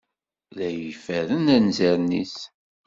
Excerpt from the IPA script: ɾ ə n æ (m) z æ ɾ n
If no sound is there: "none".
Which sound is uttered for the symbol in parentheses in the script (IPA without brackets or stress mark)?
n